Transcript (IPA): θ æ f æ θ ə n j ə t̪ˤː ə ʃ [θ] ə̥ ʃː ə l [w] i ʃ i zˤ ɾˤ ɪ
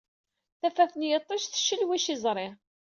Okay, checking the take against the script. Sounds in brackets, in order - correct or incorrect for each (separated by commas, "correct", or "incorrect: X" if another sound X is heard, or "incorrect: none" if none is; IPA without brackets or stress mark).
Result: correct, correct